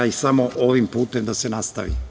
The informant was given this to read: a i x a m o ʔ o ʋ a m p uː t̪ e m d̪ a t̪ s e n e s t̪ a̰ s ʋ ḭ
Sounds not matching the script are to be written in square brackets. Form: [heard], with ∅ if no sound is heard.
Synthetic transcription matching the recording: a i [s] a m o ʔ o ʋ [i] m p uː t̪ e m d̪ a [∅] s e n [a] s t̪ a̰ [∅] ʋ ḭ

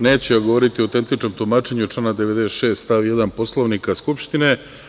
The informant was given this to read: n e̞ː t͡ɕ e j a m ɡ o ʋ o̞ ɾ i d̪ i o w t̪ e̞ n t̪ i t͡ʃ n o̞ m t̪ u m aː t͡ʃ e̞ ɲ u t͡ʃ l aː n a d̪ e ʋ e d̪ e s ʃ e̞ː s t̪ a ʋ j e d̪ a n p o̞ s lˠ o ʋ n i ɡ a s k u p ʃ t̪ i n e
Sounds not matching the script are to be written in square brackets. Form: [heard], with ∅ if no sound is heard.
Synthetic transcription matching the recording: n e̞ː t͡ɕ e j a [∅] ɡ o ʋ o̞ ɾ i [t̪] i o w t̪ e̞ n t̪ i t͡ʃ n o̞ m t̪ u m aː t͡ʃ e̞ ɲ u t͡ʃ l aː n a d̪ e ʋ e d̪ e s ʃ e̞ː s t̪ a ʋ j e d̪ a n p o̞ s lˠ o ʋ n i [k] a s k u p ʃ t̪ i n e

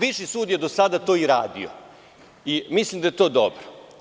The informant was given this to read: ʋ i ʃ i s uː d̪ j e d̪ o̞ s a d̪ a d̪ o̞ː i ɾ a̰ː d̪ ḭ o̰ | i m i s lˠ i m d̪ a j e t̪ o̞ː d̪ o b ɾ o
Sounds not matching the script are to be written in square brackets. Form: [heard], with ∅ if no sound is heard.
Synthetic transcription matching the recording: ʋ i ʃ i s uː d̪ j e d̪ o̞ s a d̪ a [t̪] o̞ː i ɾ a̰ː d̪ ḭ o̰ | i m i s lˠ i m d̪ a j e t̪ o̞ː d̪ o b ɾ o

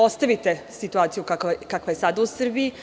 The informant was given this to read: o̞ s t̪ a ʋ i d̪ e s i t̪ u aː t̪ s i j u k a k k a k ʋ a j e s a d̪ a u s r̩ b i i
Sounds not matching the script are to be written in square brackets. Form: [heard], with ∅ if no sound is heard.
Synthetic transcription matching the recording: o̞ s t̪ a ʋ i [t̪] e s i t̪ u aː t̪ s i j u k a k k a k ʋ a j e s a d̪ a u s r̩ b i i

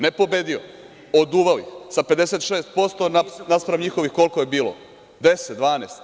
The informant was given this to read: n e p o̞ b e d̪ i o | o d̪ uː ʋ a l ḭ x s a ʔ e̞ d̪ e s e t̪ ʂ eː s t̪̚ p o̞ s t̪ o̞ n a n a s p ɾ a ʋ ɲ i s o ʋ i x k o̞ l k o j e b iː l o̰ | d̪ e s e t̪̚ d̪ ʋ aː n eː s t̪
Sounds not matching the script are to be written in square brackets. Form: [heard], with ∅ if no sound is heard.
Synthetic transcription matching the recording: n e p o̞ b e d̪ i o | o d̪ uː ʋ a l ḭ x s a [p] e̞ d̪ e s e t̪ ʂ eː s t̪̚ p o̞ s t̪ o̞ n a n a s p ɾ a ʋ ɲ i [x] o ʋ i x k o̞ l k o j e b iː l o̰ | d̪ e s e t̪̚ d̪ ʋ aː n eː s t̪

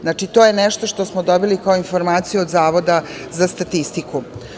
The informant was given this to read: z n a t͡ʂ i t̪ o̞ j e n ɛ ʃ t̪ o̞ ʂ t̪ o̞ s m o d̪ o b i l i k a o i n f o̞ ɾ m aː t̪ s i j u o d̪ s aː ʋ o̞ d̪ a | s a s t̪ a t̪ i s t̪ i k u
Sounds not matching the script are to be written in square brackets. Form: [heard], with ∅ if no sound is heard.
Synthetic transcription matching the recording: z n a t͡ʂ i t̪ o̞ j e n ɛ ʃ t̪ o̞ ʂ t̪ o̞ s m o d̪ o b i l i k a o i n f o̞ ɾ m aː t̪ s i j u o d̪ [z] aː ʋ o̞ d̪ a | [z] a s t̪ a t̪ i s t̪ i k u

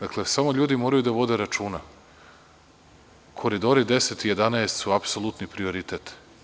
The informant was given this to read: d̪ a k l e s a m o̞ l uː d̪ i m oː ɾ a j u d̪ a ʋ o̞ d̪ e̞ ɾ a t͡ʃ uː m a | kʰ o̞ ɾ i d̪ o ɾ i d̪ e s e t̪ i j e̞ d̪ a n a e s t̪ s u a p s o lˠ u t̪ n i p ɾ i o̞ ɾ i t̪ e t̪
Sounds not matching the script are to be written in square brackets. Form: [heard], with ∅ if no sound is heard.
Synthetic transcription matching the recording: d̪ a k l e s a m o̞ [ʎ] uː d̪ i m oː ɾ a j u d̪ a ʋ o̞ d̪ e̞ ɾ a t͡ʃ uː [n] a | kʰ o̞ ɾ i d̪ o ɾ i d̪ e s e t̪ i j e̞ d̪ a n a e s t̪ s u a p s o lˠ u t̪ n i p ɾ i o̞ ɾ i t̪ e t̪

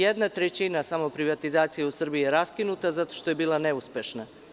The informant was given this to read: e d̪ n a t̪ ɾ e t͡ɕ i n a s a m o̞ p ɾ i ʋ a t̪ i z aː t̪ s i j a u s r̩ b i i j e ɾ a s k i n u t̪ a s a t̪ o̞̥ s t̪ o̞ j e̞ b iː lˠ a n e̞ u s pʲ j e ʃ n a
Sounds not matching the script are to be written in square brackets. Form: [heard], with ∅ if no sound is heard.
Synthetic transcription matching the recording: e d̪ n a t̪ ɾ e t͡ɕ i n a s a m o̞ p ɾ i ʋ a t̪ i z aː t̪ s i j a u s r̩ b i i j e ɾ a s k i n u t̪ a [z] a t̪ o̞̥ [ʃ] t̪ o̞ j e̞ b iː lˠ a n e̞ u s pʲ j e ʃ n a

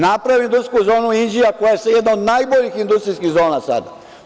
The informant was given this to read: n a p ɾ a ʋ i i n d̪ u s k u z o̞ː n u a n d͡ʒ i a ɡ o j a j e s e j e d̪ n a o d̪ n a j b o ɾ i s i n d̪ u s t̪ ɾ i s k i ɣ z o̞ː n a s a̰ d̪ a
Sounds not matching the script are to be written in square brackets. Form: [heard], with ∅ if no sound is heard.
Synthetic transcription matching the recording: n a p ɾ a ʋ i i n d̪ u s k u z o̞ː n u [i] n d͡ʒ i a [k] o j a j e s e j e d̪ n a o d̪ n a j b o [ʎ] i [x] i n d̪ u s t̪ ɾ i s k i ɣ z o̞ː n a s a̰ d̪ a

